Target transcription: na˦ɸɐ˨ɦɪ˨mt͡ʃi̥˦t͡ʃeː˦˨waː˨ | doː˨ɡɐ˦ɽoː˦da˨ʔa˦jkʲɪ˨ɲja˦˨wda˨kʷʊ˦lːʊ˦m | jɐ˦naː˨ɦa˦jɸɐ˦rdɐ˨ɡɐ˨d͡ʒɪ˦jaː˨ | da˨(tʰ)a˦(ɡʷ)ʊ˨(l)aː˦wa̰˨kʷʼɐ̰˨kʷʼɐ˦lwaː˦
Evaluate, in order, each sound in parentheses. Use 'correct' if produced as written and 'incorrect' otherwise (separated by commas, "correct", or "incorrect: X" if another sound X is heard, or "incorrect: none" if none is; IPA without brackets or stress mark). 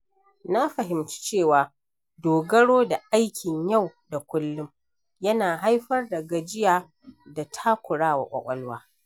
correct, incorrect: kʷ, incorrect: ɽ